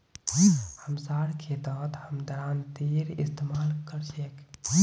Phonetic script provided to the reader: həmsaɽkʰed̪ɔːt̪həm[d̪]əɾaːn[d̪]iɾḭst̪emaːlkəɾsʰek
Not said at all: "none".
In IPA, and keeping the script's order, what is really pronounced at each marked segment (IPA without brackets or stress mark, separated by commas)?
d̪, t̪